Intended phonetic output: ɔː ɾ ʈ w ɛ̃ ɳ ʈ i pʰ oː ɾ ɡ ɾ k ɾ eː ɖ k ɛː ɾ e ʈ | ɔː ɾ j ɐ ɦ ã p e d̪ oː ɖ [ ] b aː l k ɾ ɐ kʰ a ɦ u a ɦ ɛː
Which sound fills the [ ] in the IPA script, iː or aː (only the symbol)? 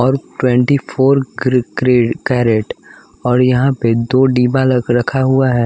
iː